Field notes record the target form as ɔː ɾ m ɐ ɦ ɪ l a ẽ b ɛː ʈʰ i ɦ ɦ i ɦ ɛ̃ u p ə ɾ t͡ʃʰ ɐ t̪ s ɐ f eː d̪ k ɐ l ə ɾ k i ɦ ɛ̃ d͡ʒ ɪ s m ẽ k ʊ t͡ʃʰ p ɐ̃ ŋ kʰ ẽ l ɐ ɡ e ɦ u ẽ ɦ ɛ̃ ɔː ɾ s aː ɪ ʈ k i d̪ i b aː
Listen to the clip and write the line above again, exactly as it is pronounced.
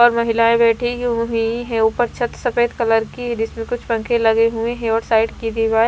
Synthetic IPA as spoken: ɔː ɾ m ɐ ɦ ɪ l a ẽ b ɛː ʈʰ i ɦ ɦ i ɦ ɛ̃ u p ə ɾ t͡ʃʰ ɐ t̪ s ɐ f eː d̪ k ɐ l ə ɾ k i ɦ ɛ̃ d͡ʒ ɪ s m ẽ k ʊ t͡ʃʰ p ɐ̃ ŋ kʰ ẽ l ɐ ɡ e ɦ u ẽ ɦ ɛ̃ ɔː ɾ s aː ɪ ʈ k i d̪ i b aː